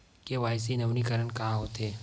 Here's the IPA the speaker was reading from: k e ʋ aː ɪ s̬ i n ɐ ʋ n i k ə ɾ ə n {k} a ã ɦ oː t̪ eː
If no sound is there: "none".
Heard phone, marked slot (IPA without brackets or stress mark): k